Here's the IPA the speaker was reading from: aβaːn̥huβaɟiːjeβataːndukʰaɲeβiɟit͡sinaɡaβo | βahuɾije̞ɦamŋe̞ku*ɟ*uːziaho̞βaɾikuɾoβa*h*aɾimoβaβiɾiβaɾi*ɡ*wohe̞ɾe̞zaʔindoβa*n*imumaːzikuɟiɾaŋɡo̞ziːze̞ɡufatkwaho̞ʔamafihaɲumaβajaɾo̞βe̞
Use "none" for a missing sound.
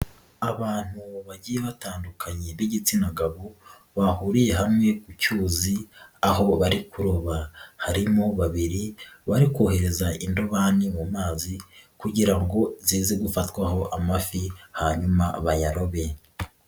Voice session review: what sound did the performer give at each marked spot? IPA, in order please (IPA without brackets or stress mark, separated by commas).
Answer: c, h, k, n